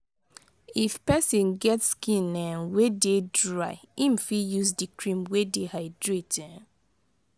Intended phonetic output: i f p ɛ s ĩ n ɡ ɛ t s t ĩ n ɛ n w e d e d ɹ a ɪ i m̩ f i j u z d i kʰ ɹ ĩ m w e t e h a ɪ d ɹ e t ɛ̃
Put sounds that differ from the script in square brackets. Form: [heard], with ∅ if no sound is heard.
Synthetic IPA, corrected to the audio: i f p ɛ s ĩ n ɡ ɛ t s [k] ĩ n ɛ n w e d e d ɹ a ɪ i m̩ f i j u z d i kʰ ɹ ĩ m w e [d] e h a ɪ d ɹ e t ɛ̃